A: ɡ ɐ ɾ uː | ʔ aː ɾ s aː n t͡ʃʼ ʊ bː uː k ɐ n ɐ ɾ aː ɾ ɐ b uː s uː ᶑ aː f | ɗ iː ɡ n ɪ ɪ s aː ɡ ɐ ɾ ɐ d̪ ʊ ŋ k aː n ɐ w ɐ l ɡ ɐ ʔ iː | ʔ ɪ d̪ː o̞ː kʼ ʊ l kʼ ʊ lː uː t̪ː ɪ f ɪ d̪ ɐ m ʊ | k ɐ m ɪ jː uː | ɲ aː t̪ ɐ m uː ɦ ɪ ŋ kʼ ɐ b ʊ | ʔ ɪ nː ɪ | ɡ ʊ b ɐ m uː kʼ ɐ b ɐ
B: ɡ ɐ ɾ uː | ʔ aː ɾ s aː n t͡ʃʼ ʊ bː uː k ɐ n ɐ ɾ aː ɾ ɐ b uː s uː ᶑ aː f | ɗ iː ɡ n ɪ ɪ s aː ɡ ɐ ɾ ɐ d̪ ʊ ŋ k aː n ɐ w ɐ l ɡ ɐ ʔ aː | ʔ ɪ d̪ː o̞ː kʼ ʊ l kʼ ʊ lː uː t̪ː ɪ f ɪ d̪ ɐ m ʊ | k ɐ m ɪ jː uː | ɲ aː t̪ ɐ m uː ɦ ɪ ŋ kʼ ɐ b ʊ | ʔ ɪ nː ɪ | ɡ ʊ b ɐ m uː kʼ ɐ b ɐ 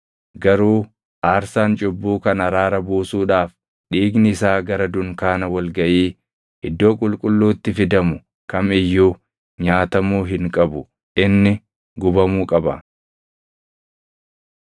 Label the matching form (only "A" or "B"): A